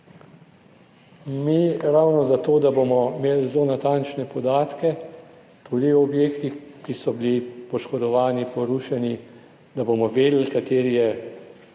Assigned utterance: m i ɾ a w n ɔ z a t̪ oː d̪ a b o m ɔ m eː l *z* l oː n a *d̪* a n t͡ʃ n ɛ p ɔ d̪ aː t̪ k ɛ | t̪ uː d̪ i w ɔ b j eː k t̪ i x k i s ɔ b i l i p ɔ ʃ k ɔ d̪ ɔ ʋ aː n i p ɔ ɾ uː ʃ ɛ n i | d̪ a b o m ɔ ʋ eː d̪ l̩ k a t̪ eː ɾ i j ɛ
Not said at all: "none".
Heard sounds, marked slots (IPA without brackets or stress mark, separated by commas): z, t̪